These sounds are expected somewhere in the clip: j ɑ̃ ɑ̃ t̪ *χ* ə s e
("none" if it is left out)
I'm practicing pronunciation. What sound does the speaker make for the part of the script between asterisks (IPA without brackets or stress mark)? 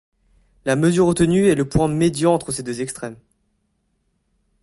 χ